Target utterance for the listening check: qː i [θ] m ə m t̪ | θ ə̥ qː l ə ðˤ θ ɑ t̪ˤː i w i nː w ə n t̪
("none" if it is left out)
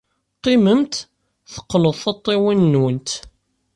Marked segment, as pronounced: none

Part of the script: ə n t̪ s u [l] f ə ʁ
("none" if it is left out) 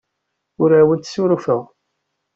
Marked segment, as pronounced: ɾ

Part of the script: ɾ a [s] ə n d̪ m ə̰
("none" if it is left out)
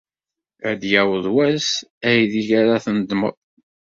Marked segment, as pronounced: θ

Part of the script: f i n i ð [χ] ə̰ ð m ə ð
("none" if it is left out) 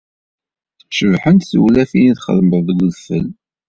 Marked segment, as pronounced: χ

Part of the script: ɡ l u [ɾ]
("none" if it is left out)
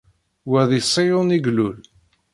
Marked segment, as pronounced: l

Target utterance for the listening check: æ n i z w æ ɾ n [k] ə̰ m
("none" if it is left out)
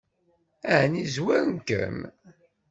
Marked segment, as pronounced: k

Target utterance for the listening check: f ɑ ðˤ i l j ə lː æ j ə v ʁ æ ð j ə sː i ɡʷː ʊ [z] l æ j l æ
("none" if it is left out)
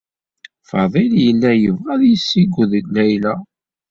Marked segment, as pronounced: ð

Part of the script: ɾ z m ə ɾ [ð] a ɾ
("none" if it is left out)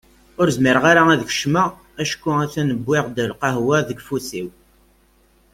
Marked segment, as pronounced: ʁ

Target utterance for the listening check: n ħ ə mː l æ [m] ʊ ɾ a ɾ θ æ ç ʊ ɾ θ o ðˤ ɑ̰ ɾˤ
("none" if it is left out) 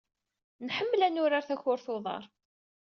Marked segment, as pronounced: n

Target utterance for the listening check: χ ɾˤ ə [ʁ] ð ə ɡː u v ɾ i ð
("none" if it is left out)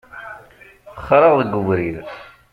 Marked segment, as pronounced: ʁ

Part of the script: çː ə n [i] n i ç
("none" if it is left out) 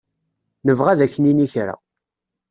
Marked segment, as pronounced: i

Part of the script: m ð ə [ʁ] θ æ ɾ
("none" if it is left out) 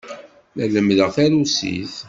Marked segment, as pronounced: ʁ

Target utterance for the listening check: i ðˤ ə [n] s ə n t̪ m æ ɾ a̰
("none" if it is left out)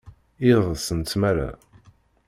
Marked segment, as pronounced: none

